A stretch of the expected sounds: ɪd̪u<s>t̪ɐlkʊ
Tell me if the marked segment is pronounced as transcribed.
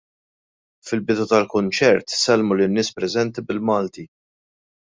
no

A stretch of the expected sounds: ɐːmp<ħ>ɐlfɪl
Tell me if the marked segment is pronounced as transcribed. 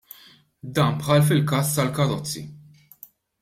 yes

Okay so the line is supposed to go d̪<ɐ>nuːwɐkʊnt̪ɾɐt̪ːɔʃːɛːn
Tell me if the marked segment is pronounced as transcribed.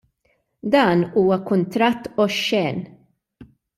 no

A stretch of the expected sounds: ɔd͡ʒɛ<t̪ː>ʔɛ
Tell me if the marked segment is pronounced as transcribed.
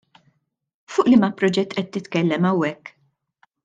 yes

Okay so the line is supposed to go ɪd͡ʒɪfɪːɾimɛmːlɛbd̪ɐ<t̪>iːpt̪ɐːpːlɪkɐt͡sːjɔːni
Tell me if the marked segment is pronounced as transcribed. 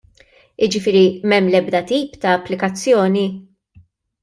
yes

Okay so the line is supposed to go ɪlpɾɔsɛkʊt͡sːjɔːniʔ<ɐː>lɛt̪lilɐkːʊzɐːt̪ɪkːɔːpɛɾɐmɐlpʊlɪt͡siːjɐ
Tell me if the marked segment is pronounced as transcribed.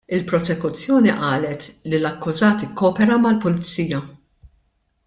yes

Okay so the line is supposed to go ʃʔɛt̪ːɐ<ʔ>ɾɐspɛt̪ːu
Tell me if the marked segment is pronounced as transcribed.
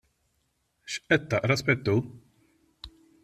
yes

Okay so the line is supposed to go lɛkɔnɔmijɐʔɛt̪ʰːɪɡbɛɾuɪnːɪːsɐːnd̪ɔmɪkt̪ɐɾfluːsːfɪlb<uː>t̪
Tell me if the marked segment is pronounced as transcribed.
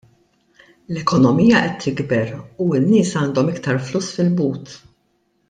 yes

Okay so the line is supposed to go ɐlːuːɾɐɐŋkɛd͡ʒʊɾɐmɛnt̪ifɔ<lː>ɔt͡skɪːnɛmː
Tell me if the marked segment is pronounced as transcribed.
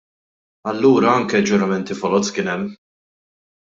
no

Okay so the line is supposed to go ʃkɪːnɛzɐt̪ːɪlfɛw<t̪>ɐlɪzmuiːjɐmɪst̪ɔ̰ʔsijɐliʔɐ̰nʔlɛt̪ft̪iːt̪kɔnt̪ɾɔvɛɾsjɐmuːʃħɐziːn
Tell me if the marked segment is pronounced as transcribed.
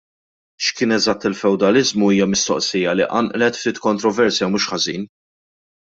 no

